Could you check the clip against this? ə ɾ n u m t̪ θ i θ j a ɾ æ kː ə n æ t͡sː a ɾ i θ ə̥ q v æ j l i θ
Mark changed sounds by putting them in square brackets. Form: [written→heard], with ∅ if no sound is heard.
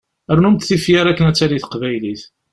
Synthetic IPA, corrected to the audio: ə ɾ n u m t̪ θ i [θ→f] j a ɾ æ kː ə n æ t͡sː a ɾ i θ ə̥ q v æ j l i θ